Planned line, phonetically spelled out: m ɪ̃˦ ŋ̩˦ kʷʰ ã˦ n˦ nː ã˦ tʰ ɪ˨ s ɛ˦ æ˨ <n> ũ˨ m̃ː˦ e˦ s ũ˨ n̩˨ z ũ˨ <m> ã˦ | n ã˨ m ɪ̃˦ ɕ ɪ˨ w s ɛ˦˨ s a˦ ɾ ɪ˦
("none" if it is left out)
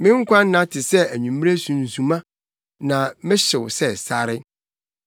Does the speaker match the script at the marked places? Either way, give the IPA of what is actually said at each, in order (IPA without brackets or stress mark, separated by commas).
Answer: ɲ, m